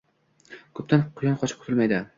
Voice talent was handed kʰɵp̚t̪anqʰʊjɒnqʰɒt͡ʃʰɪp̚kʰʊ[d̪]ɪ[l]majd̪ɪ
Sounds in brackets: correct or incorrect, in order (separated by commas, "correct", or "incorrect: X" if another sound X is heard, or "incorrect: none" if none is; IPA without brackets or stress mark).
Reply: incorrect: t̪, correct